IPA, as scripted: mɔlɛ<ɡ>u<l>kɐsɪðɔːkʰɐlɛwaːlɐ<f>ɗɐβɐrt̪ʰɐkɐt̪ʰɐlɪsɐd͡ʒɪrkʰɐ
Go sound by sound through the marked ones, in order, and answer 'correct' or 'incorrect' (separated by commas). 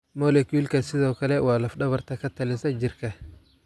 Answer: incorrect, correct, correct